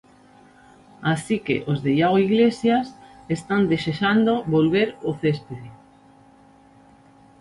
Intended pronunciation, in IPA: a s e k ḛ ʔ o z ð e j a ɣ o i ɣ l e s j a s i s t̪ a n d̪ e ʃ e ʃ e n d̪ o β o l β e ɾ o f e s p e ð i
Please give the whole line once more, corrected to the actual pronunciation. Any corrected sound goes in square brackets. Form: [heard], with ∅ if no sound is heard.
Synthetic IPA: a s [i] k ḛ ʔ o z ð e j a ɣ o i ɣ l e s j a s [e] s t̪ a n d̪ e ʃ e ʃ [a] n d̪ o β o l β e ɾ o [θ] e s p e ð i